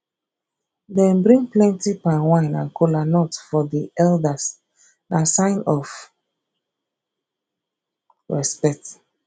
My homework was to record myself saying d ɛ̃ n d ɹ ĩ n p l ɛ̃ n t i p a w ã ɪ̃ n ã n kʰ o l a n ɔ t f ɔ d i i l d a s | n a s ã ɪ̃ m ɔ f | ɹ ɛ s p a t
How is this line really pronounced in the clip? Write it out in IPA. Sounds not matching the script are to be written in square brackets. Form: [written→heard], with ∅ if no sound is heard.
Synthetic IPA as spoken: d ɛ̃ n [d→b] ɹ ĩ [n→ŋ] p l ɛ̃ n t i p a w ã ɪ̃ n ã n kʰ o l a n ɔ t f ɔ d i [i→ɛ] l d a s | n a s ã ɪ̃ [m→n] ɔ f | ɹ ɛ s p [a→ɛ] t